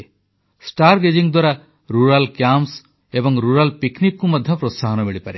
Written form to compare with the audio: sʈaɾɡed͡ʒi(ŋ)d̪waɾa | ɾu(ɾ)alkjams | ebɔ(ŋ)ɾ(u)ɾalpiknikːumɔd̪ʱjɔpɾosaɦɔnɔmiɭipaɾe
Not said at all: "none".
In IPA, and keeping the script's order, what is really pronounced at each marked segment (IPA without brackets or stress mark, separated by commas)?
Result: ŋ, ɾ, ŋ, u